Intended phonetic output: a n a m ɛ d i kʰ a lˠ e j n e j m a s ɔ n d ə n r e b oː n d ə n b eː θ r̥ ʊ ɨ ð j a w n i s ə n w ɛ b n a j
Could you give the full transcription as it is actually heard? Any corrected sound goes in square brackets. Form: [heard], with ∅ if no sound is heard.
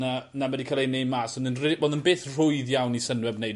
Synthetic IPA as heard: a n a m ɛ d i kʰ a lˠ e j n e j m a s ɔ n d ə n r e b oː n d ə n b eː θ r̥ ʊ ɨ ð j a w n i s ə n w ɛ b n [e] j